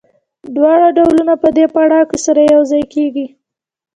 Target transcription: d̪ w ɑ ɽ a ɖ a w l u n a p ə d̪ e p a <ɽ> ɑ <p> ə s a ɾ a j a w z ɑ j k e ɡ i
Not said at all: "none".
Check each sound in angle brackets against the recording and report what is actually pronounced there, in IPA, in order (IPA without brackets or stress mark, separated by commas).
ɽ, k